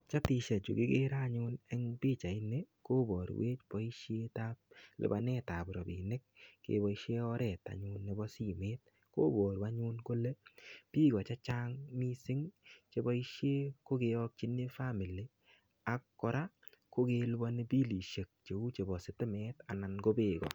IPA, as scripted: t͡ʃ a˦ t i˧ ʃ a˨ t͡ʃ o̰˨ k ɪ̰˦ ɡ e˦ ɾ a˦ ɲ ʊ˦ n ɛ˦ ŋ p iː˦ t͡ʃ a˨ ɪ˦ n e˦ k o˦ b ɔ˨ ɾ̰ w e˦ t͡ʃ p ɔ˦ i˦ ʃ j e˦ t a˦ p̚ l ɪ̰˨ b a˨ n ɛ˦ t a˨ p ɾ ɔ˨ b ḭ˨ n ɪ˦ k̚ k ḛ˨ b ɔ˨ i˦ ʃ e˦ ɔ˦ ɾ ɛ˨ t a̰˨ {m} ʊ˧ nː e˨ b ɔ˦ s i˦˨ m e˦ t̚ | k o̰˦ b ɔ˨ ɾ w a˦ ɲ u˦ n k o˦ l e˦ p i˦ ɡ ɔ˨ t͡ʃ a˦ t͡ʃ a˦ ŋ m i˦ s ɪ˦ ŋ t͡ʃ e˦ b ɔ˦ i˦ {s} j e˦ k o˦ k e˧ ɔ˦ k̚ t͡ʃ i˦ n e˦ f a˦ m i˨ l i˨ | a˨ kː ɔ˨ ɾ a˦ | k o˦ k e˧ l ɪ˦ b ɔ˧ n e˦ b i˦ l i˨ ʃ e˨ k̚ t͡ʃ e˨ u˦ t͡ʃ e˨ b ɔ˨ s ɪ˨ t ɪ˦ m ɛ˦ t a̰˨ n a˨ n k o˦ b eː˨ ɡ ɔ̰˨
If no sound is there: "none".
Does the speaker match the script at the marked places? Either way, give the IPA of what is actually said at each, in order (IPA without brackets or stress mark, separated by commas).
ɲ, ʃ